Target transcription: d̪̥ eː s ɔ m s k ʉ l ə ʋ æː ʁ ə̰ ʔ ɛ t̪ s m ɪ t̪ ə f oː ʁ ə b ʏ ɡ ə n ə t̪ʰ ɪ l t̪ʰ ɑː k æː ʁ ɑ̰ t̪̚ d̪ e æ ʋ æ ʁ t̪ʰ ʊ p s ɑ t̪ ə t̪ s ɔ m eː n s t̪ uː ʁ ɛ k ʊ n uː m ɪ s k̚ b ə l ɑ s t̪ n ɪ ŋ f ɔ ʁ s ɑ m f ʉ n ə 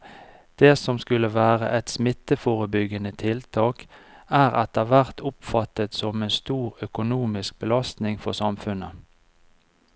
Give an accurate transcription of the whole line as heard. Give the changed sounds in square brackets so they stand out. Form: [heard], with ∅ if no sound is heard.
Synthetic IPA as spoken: d̪̥ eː s ɔ m s k ʉ l ə ʋ æː ʁ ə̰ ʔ ɛ t̪ s m ɪ t̪ ə f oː ʁ ə b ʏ ɡ ə n ə t̪ʰ ɪ l t̪ʰ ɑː k æː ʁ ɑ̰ t̪̚ d̪ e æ ʋ æ ʁ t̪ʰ ʊ p [f] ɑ t̪ ə t̪ s ɔ m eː n s t̪ uː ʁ [œ] k ʊ n uː m ɪ s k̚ b ə l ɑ s t̪ n ɪ ŋ f ɔ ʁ s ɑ m f ʉ n ə